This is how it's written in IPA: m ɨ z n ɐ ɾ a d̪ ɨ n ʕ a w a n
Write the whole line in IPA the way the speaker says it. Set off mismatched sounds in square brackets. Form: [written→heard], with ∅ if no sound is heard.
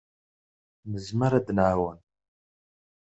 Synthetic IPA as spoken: m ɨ z [n→m] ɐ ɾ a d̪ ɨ n ʕ a w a n